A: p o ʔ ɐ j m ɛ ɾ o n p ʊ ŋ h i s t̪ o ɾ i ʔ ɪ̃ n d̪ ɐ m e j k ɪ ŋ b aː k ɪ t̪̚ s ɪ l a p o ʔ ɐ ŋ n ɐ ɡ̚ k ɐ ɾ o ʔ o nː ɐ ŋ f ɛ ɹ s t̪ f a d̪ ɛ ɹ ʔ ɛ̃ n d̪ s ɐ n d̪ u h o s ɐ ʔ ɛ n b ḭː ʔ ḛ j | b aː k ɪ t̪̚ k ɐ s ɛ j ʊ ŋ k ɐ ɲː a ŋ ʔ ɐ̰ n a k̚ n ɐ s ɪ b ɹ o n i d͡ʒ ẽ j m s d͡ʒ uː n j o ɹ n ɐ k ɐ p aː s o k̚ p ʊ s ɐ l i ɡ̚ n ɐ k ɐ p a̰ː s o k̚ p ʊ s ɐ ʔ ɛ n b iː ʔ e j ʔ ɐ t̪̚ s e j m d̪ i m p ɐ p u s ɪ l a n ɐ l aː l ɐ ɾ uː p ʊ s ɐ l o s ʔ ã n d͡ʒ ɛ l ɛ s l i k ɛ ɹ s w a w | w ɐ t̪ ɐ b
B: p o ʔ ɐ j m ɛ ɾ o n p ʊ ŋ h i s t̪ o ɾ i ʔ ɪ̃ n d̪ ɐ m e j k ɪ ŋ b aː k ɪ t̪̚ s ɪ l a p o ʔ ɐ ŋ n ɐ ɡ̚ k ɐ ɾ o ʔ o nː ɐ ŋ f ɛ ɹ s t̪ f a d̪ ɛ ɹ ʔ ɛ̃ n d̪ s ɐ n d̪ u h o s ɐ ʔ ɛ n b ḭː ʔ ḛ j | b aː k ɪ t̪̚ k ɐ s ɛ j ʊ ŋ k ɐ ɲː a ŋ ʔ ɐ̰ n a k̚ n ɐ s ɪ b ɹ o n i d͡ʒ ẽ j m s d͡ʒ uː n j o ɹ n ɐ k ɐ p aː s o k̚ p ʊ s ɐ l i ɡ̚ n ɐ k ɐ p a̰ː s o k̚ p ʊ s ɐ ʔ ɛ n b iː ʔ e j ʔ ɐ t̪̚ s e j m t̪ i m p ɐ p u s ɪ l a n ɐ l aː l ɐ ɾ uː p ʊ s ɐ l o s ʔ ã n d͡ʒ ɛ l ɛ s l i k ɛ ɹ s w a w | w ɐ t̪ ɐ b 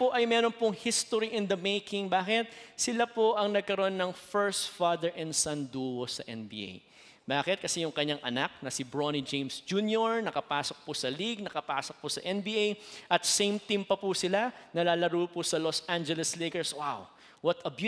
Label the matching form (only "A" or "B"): B